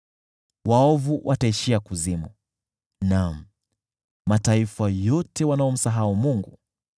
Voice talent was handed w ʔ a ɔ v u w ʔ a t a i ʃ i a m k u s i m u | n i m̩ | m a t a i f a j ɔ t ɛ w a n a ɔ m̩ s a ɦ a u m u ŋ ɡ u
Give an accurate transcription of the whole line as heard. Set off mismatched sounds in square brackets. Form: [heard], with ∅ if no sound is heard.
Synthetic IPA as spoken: w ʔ a ɔ v u w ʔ a t a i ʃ i a [∅] k u [z] i m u | n [a] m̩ | m a t a i f a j ɔ t ɛ w a n a ɔ m̩ s a ɦ a u m u ŋ ɡ u